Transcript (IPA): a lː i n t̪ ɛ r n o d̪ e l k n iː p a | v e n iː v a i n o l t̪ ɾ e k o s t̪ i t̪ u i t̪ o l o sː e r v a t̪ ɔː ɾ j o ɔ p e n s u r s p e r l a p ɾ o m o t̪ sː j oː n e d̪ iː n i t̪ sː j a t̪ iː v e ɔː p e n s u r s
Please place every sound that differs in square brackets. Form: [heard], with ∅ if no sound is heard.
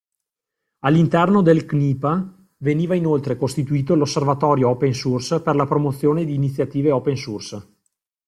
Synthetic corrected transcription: a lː i n t̪ ɛ r n o d̪ e l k n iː p a | v e n iː v a i n o l t̪ ɾ e k o s t̪ i t̪ u [iː] t̪ o l o sː e r v a t̪ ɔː ɾ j o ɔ p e n s u r s p e r l a p ɾ o m o t̪ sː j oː n e d̪ iː n i t̪ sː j a t̪ iː v e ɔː p e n s u r s